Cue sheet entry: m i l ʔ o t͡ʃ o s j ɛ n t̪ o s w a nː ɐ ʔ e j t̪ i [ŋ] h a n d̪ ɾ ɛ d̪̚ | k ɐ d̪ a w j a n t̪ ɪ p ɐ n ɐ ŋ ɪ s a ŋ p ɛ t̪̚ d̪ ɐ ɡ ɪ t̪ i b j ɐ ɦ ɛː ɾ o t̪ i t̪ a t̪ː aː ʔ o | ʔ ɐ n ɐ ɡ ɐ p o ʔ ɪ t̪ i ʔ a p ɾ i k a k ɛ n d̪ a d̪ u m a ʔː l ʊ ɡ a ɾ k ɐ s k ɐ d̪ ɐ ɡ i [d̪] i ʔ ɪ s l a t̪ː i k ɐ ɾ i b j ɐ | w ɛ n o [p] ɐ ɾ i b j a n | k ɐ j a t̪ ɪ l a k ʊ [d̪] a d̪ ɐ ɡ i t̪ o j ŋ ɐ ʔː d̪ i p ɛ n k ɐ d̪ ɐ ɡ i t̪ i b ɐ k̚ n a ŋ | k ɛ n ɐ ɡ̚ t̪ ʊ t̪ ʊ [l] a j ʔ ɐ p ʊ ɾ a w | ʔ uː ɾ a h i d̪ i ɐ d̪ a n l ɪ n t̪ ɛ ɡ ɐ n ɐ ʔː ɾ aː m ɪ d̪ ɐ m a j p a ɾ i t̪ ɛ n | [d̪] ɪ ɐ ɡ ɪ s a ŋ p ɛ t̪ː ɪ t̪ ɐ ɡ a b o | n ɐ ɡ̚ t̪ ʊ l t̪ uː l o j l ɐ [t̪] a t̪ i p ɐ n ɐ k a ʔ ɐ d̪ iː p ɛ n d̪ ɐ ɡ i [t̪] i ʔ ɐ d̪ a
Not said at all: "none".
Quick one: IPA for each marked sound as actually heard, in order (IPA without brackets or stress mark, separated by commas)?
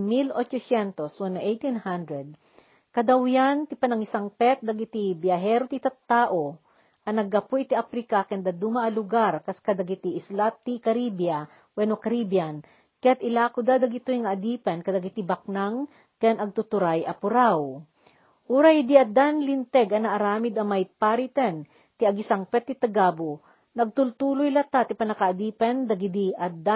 n, t̪, k, d̪, ɾ, t̪, t̪, d̪